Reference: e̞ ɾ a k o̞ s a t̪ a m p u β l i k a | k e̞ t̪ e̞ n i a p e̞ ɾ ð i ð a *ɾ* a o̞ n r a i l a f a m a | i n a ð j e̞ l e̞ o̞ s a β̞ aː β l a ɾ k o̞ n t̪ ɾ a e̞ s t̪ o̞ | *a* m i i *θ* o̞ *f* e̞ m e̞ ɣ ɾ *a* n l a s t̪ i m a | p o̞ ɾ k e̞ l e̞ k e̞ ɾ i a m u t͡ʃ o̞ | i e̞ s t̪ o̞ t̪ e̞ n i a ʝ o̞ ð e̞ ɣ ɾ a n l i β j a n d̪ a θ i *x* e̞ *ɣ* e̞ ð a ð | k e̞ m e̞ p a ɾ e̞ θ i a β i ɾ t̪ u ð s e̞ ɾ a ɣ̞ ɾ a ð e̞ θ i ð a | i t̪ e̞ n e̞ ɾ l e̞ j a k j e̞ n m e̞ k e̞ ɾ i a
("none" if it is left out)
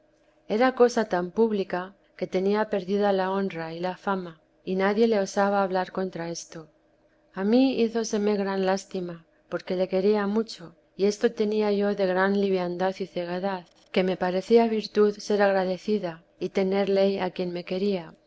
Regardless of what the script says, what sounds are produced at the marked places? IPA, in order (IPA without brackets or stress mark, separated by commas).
l, a, θ, s, a, θ, ɣ